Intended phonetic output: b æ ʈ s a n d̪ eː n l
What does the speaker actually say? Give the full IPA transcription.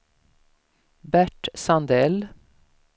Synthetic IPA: b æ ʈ s ɑ n d̪ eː l